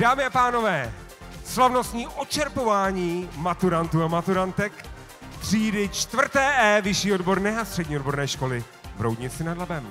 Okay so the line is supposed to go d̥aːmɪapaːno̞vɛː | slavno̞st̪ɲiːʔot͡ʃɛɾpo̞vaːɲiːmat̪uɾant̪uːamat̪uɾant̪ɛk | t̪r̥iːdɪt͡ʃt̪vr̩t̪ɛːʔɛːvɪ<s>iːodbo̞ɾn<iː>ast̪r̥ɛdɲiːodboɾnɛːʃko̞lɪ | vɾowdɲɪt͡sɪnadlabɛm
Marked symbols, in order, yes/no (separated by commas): no, no